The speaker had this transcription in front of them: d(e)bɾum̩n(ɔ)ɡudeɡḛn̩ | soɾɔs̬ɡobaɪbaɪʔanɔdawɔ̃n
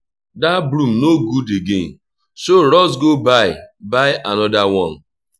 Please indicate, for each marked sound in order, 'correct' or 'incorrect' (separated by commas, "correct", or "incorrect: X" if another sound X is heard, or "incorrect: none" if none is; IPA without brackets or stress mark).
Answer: incorrect: a, incorrect: o